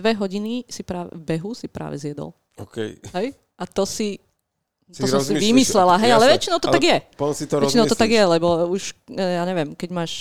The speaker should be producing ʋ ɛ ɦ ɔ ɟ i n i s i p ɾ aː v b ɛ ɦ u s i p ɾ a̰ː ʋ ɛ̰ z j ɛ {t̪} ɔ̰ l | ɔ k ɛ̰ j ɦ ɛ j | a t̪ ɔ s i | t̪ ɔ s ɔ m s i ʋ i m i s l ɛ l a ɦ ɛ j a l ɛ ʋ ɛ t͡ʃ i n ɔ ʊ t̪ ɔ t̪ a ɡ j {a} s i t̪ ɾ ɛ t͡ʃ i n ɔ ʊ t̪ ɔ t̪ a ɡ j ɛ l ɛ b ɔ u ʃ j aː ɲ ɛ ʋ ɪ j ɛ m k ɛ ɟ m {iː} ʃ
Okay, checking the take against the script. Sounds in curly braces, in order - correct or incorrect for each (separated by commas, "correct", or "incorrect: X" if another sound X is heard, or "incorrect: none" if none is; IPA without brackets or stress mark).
incorrect: d̪, incorrect: ɛ, incorrect: aː